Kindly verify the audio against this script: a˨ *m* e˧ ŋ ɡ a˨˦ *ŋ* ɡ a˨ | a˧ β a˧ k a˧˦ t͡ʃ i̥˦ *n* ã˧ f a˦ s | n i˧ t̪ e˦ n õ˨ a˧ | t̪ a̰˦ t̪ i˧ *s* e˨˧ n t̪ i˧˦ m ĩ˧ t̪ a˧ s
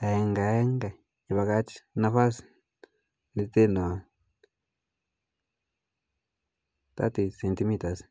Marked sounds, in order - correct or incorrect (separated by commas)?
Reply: incorrect, correct, correct, correct